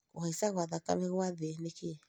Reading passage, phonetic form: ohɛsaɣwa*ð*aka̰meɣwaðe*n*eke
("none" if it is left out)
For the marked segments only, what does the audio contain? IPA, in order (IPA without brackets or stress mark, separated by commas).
ð, n